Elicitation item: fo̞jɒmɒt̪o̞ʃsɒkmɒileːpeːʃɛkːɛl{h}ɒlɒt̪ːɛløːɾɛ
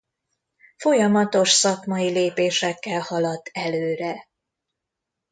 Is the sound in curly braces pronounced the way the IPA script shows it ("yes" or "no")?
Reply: yes